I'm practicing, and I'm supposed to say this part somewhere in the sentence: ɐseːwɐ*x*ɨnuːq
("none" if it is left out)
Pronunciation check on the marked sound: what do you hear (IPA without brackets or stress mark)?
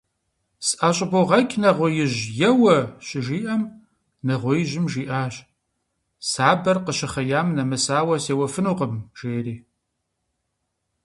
f